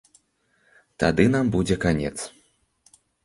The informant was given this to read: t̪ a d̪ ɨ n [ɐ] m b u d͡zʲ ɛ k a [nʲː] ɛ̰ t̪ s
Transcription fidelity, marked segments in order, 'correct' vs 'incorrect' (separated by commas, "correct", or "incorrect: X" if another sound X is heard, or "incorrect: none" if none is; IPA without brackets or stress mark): incorrect: a, incorrect: nʲ